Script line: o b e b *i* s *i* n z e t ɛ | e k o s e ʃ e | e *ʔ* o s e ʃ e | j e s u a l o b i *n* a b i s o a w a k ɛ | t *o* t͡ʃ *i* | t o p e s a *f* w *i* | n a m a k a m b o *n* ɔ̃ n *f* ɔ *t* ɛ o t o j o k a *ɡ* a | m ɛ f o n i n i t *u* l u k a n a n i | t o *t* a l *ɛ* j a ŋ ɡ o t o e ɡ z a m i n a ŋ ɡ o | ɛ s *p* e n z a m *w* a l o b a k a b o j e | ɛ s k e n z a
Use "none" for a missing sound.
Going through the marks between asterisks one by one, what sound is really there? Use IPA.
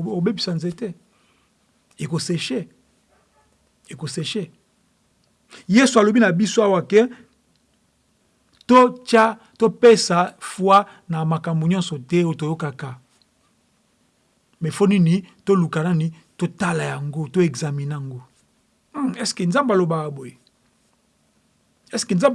i, a, k, n, o, a, f, a, ɲ, s, t, k, o, t, a, k, b

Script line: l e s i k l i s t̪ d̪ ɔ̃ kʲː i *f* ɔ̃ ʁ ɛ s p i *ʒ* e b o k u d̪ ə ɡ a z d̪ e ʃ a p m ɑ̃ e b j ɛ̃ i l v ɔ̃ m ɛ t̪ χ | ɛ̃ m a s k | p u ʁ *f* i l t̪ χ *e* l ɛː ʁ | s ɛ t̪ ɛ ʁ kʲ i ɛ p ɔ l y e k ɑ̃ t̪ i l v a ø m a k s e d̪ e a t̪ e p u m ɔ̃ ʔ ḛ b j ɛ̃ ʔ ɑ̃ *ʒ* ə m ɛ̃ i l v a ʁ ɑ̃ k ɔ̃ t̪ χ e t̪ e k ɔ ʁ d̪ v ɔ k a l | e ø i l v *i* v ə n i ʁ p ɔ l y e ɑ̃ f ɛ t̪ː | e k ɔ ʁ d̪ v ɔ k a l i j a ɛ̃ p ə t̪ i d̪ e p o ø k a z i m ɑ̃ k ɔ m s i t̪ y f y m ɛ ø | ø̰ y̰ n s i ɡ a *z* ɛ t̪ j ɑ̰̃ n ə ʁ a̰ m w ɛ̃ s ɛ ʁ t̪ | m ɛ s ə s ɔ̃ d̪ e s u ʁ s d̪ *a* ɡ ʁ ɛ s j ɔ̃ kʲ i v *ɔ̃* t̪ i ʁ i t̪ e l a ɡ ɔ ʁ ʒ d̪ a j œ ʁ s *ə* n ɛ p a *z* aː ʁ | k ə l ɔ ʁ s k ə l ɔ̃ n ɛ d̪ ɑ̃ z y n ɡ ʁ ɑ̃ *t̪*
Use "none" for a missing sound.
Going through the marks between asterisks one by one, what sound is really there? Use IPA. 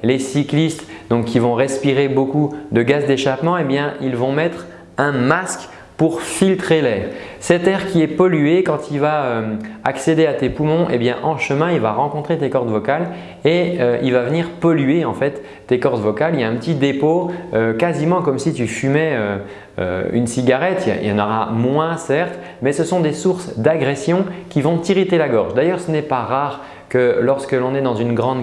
v, ʁ, f, e, ʃ, a, ʁ, a, ɔ̃, ə, ʁ, d̪

